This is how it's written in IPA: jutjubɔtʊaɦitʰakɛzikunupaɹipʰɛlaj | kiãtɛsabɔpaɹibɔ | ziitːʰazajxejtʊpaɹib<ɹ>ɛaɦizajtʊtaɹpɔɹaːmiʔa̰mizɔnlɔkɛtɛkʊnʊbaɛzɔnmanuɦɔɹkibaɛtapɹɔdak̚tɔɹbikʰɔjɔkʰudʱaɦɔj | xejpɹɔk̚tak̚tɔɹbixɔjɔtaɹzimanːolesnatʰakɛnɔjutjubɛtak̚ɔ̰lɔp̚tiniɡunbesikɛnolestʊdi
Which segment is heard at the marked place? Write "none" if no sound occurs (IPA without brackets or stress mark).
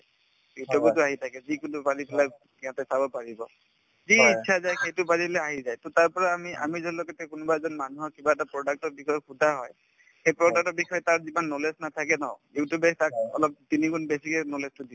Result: l